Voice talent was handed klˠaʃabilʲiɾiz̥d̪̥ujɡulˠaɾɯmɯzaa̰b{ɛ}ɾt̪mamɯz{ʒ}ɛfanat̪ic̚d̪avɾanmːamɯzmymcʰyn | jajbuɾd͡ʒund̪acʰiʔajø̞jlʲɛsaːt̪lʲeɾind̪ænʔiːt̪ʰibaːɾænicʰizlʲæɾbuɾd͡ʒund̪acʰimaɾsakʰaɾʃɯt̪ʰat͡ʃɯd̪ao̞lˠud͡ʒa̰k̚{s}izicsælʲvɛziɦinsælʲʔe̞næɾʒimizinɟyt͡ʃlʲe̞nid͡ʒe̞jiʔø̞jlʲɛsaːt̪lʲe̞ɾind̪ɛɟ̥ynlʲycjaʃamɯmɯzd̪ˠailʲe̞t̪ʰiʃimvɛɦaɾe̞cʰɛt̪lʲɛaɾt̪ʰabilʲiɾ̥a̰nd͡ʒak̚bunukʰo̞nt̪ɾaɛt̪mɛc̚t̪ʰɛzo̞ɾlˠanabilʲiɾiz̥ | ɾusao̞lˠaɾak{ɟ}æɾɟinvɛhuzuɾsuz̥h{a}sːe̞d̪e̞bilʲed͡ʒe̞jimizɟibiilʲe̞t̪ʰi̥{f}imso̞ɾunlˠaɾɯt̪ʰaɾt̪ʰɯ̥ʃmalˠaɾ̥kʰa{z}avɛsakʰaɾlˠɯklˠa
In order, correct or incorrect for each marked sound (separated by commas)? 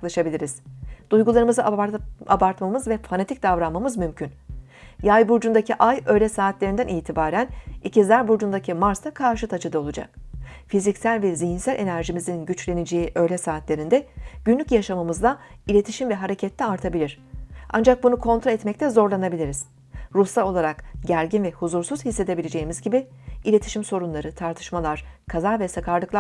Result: incorrect, incorrect, incorrect, correct, incorrect, incorrect, correct